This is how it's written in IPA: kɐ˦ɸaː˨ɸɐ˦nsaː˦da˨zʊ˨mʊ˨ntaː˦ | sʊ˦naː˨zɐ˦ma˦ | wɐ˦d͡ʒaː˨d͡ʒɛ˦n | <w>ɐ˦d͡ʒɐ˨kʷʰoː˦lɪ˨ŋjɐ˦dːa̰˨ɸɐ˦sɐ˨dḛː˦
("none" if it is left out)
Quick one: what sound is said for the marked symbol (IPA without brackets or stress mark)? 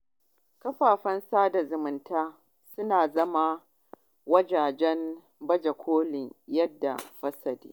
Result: b